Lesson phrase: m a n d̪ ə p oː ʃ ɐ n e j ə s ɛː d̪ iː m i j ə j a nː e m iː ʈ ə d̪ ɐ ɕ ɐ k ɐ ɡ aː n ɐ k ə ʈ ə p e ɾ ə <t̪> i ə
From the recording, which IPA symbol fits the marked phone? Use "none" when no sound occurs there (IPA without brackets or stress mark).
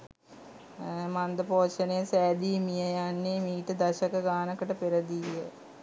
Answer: d̪